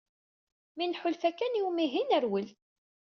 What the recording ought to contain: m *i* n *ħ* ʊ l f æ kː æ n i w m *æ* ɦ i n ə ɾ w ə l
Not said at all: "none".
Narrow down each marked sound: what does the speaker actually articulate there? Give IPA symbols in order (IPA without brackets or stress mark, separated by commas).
i, ħ, i